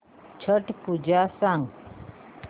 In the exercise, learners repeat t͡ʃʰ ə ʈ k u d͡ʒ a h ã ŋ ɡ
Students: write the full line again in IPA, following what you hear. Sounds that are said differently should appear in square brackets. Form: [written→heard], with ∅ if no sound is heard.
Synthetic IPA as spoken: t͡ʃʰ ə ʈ [k→p] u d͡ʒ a [h→s] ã ŋ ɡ